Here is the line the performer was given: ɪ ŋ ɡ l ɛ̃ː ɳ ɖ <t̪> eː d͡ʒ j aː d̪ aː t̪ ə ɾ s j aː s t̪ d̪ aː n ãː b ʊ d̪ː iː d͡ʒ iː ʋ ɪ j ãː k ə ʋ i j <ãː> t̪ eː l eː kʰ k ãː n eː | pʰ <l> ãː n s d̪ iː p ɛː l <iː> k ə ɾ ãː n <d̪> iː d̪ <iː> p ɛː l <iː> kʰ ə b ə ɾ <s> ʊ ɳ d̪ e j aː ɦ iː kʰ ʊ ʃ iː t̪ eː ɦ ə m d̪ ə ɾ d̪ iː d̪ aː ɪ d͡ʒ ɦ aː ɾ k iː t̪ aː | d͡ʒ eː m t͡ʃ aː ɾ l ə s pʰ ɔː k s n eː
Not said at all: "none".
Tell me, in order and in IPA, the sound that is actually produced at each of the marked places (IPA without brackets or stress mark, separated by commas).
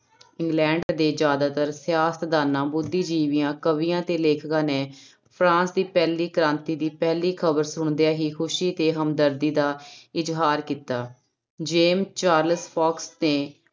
d̪, ãː, ɾ, iː, t̪, iː, iː, s